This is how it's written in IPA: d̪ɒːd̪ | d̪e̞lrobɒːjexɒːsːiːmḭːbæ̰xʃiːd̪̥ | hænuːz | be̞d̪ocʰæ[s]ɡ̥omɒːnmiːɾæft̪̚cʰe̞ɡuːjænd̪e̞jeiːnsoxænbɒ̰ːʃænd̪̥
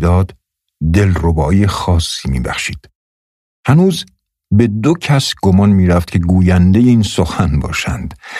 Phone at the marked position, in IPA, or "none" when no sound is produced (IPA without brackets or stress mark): s